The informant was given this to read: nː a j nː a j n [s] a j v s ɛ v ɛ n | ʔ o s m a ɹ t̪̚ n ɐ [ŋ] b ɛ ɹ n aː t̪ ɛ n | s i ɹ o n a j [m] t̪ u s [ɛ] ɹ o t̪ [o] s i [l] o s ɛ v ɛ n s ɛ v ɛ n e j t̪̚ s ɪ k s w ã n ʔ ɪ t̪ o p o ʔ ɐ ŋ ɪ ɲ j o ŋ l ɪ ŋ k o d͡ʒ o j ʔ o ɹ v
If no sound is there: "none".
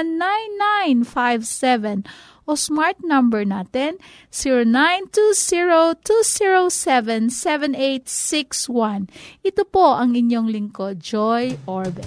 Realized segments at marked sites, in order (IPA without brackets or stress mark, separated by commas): f, m, n, i, u, ɹ